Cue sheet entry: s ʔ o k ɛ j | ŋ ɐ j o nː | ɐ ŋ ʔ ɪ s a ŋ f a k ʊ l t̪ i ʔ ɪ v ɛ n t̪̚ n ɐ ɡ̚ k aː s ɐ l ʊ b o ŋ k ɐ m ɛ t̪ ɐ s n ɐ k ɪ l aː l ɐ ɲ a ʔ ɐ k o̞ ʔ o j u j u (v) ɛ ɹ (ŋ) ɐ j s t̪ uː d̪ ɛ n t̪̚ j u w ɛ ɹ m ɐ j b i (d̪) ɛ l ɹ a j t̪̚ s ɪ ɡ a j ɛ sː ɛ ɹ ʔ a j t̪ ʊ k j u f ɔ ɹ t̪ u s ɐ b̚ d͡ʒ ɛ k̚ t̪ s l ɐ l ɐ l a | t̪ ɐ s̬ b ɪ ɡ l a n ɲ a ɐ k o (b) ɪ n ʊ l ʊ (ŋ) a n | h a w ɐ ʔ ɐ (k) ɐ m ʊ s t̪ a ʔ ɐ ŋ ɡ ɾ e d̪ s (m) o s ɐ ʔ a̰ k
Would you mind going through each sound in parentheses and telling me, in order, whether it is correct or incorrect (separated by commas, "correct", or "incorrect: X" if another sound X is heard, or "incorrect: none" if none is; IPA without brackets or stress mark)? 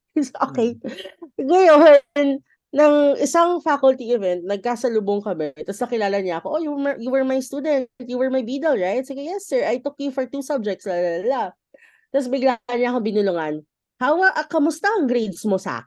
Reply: incorrect: w, incorrect: m, correct, correct, correct, correct, correct